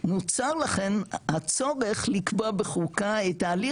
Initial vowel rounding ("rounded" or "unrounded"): rounded